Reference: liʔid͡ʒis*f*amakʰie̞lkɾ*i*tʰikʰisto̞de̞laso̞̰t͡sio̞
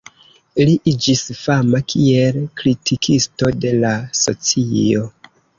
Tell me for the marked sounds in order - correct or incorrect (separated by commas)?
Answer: correct, correct